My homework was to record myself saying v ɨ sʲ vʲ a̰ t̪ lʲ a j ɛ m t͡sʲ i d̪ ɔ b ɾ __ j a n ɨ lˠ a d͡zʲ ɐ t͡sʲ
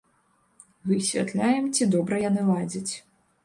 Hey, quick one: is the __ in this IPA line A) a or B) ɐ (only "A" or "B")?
B